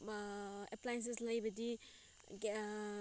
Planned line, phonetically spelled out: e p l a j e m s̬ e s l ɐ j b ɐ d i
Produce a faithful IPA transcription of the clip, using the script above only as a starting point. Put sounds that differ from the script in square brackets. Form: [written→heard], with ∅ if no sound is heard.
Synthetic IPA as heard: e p l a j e [m→n] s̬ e s l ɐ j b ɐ d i